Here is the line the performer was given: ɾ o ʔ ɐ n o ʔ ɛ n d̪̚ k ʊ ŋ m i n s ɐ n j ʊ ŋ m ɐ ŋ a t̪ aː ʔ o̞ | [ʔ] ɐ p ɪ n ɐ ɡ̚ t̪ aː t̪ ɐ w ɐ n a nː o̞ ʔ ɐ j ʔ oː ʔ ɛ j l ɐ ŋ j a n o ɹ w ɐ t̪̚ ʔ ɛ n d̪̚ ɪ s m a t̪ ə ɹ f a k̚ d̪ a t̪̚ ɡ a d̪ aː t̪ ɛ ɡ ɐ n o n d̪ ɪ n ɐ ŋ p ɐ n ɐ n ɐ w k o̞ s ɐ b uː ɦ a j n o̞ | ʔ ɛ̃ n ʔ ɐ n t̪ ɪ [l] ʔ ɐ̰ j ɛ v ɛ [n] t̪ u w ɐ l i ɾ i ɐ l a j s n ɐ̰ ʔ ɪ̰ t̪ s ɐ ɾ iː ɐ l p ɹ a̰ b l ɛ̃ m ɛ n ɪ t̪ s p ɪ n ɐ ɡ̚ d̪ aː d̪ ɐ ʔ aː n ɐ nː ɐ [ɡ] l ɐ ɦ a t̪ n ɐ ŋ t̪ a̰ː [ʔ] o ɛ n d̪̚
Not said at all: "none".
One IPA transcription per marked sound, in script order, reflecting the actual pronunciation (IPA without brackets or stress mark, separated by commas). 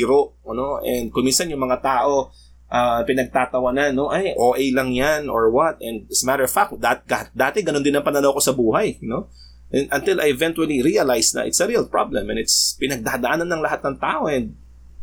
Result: ʔ, l, n, ŋ, ʔ